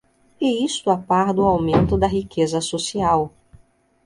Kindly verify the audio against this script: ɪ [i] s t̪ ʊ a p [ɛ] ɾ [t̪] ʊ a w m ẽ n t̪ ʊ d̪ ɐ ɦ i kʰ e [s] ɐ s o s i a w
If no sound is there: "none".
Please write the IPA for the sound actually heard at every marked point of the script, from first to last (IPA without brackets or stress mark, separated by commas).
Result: i, a, d̪, z